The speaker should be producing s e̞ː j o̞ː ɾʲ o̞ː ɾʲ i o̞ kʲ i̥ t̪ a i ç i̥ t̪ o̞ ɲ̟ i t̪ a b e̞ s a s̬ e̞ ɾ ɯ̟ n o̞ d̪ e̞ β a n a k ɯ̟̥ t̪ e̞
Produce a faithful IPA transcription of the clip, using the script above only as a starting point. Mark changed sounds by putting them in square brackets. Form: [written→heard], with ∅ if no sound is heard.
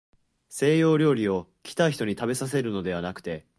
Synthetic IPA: s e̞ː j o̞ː ɾʲ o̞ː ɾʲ i o̞ kʲ i̥ t̪ a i ç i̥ t̪ o̞ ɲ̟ i t̪ a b e̞ s a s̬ e̞ ɾ ɯ̟ n o̞ d̪ e̞ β a n a k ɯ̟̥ t̪ e̞

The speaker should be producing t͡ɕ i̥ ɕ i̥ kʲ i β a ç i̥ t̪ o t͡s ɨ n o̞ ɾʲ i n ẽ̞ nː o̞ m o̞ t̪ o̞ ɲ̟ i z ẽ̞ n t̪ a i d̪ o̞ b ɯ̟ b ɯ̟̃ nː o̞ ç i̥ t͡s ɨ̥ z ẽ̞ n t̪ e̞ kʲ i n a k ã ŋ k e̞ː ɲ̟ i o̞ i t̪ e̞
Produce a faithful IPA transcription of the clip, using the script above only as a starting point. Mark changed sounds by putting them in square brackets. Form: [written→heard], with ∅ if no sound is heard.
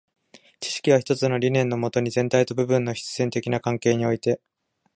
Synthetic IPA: t͡ɕ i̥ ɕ i̥ kʲ i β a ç i̥ t̪ o t͡s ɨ n o̞ ɾʲ i n ẽ̞ nː o̞ m o̞ t̪ o̞ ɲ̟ i z ẽ̞ n t̪ a i [d̪→t̪] o̞ b ɯ̟ b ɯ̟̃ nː o̞ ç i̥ t͡s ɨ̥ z ẽ̞ n t̪ e̞ kʲ i n a k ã ŋ k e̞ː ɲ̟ i o̞ i t̪ e̞

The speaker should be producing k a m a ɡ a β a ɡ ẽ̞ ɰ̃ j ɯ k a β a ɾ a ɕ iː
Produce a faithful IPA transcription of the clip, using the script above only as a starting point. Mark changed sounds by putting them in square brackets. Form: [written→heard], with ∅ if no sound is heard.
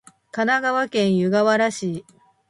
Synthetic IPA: k a [m→n] a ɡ a β a [ɡ→k] ẽ̞ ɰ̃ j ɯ [k→ɡ] a β a ɾ a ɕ iː

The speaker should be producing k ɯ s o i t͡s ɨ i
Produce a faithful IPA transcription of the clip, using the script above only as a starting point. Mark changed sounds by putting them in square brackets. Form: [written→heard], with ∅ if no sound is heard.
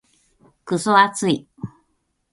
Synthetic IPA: k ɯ s o [i→a] t͡s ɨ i

